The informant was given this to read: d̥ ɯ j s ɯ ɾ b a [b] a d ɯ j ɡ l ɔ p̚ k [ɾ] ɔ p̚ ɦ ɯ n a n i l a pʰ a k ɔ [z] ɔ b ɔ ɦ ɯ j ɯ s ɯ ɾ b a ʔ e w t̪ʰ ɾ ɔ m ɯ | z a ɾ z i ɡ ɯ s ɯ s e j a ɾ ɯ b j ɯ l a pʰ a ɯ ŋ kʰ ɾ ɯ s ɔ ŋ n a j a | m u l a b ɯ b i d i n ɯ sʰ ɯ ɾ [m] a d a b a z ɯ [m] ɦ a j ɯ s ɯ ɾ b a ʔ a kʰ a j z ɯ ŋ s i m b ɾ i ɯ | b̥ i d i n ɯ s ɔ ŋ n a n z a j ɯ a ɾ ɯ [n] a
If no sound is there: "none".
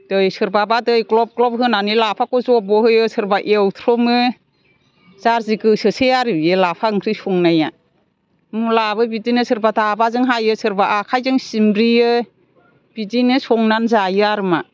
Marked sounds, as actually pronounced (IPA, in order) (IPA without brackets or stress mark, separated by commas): b, l, z, b, ŋ, m